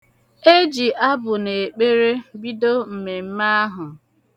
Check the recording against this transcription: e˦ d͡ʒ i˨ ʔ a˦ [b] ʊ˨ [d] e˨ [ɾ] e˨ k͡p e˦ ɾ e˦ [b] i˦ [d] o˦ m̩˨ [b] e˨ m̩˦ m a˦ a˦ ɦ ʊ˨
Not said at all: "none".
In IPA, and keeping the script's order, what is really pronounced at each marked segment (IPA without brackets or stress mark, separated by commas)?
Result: b, n, none, b, d, m